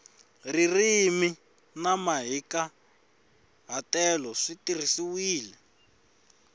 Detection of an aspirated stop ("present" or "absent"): absent